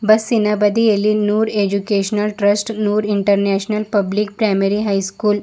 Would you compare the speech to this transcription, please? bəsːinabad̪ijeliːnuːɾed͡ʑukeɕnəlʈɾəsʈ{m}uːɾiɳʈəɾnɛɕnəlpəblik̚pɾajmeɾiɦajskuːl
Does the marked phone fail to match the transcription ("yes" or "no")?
yes